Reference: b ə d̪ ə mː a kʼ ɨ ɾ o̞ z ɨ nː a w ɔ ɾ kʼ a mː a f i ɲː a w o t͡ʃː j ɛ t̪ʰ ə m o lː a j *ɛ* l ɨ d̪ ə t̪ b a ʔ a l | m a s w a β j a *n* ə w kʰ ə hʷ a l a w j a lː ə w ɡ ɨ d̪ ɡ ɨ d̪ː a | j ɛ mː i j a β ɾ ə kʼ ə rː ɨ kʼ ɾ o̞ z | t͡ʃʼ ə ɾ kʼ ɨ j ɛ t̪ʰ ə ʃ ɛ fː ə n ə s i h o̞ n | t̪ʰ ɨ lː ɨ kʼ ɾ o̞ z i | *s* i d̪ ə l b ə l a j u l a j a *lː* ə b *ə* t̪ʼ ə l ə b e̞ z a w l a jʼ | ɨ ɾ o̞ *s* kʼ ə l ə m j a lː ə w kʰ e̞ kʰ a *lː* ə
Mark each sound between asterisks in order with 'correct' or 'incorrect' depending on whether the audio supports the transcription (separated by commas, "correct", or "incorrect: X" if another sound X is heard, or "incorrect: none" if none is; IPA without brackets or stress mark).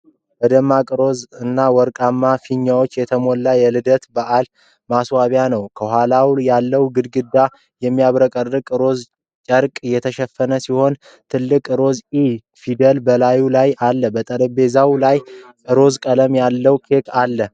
correct, correct, incorrect: f, correct, correct, incorrect: z, correct